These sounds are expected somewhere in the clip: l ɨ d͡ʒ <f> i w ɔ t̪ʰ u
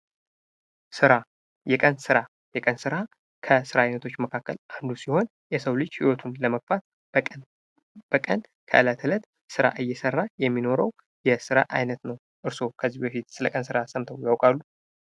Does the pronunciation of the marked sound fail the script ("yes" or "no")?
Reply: yes